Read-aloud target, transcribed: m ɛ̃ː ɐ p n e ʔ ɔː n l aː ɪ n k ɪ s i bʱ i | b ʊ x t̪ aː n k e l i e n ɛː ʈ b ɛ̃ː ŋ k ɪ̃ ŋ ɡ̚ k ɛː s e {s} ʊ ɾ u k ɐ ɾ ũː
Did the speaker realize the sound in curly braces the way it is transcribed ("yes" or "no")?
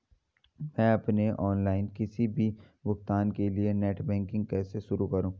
no